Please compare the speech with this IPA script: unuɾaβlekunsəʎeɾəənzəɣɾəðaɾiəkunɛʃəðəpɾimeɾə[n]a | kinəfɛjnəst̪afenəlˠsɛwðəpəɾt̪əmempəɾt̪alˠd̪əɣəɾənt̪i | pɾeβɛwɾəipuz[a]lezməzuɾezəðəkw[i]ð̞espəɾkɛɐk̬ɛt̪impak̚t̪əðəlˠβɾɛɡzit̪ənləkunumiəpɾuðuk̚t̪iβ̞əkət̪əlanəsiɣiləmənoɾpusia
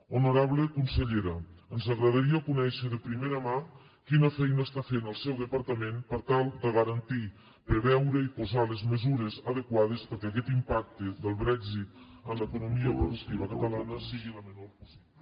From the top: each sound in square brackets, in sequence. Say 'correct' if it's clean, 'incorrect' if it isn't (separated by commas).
incorrect, correct, incorrect